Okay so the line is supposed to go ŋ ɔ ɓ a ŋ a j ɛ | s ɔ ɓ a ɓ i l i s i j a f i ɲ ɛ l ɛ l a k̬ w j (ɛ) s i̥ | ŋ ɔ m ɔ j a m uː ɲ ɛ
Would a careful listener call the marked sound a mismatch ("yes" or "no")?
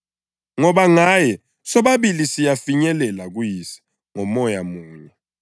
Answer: yes